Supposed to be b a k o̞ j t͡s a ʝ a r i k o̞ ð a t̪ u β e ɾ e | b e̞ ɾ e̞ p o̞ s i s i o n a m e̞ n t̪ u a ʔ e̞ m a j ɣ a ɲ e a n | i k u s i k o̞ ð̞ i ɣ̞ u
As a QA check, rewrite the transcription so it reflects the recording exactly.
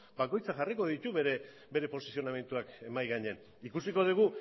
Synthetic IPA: b a k o̞ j t͡s a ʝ a r i k o̞ ð i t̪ u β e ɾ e | b e̞ ɾ e̞ p o̞ s i s i o n a m e̞ n t̪ u a k e̞ m a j ɣ a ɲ e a n | i k u s i k o̞ ð̞ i ɣ̞ u

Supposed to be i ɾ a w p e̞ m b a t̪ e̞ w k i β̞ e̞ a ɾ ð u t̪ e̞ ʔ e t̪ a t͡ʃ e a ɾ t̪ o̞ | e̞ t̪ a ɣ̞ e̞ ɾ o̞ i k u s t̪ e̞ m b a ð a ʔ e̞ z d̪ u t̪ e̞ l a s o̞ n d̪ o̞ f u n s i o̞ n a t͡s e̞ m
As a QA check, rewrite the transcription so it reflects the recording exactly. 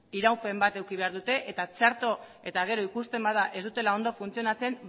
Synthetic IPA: i ɾ a w p e̞ m b a t̪ e̞ w k i β̞ e̞ a ɾ ð u t̪ e̞ ʔ e t̪ a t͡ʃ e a ɾ t̪ o̞ | e̞ t̪ a ɣ̞ e̞ ɾ o̞ i k u s t̪ e̞ m b a ð a ʔ e̞ z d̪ u t̪ e̞ l a o̞ n d̪ o̞ f u n t͡s i o̞ n a t͡s e̞ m

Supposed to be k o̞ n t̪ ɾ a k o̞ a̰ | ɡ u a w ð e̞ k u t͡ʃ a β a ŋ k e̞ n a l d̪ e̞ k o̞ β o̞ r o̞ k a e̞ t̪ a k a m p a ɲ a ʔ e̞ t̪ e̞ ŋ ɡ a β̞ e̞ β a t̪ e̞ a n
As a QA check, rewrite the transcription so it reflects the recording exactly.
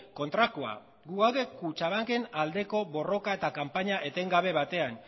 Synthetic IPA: k o̞ n t̪ ɾ a k o̞ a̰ | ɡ u a w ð e̞ k u t͡ʃ a β a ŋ k e̞ n a l d̪ e̞ k o̞ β o̞ r o̞ k a e̞ t̪ a k a m p a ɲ a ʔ e̞ t̪ e̞ ŋ ɡ a β̞ e̞ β a t̪ e̞ a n

